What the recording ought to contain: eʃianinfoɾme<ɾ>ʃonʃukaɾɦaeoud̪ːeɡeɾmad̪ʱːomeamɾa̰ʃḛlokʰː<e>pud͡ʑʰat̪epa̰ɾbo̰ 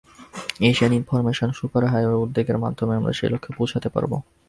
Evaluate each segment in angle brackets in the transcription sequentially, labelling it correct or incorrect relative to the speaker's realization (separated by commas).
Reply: incorrect, correct